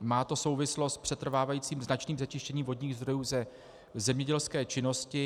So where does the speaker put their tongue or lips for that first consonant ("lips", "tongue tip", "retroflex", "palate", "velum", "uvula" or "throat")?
lips